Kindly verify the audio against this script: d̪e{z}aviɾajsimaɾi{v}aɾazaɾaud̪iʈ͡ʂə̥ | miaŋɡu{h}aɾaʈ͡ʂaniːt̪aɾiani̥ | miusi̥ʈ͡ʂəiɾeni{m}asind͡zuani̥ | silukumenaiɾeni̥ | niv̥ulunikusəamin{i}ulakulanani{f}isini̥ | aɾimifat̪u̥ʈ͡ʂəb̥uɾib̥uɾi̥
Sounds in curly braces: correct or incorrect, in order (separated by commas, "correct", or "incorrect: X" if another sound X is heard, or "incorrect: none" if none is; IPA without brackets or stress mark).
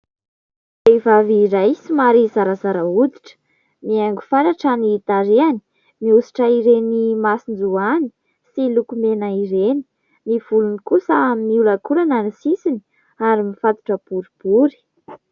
incorrect: v, incorrect: z, incorrect: f, correct, correct, incorrect: s